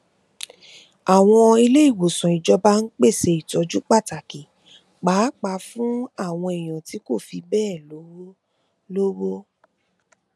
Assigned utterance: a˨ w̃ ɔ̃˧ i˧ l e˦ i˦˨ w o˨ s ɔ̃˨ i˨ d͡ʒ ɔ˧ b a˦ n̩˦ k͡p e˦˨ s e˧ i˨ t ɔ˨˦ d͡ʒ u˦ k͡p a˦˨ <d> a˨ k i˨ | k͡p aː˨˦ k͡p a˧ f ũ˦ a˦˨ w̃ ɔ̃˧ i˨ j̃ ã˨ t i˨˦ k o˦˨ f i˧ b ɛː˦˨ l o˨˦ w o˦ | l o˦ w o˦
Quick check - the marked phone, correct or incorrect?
incorrect